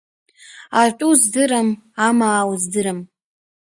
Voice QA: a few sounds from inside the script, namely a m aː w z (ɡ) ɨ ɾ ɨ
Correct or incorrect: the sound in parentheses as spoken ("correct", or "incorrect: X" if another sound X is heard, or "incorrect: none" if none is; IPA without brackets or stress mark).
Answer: incorrect: d